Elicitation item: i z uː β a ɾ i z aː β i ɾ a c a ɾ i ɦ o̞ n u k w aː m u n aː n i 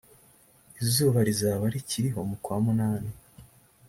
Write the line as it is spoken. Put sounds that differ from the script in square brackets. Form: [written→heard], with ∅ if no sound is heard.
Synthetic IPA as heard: i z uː β a ɾ i z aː β [i→a] ɾ [a→i] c [a→i] ɾ i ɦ o̞ [n→m] u k w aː m u n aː n i